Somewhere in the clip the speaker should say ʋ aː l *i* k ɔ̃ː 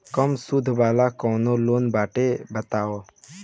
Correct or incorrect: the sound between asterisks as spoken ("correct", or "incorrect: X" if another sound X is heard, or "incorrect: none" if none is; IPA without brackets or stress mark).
incorrect: a